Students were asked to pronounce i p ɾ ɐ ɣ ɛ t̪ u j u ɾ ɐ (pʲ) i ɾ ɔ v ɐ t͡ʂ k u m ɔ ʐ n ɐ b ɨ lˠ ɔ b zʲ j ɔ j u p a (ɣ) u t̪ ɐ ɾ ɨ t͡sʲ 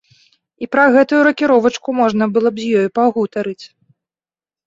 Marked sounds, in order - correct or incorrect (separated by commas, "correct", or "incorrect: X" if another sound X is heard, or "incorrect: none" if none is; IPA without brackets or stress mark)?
incorrect: kʲ, correct